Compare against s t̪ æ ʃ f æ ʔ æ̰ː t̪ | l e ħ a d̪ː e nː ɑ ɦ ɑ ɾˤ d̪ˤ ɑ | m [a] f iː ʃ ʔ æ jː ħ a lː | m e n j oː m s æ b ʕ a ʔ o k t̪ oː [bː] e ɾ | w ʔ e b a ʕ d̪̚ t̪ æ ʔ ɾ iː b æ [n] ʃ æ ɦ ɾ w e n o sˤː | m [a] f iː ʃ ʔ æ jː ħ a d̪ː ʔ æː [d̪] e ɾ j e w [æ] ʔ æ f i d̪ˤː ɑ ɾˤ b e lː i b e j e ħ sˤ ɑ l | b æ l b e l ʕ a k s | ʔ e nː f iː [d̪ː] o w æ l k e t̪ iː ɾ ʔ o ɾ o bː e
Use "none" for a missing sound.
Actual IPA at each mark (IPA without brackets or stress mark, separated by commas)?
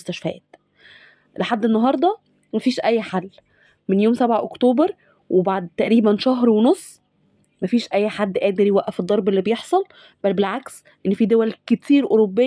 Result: æ, b, n, æ, d̪, æ, d̪